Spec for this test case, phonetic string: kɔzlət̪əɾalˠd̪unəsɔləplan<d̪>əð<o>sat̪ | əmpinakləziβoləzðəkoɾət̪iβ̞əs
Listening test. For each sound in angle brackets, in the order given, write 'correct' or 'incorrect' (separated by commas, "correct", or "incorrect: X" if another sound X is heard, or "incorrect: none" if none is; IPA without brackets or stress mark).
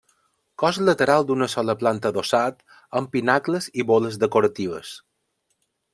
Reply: incorrect: t̪, correct